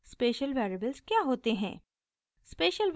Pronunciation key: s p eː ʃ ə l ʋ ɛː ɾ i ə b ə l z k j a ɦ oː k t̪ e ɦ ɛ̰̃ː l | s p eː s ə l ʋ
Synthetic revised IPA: s p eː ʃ ə l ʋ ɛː ɾ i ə b ə l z k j a ɦ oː t̪ e ɦ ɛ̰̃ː | s p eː ʃ ə l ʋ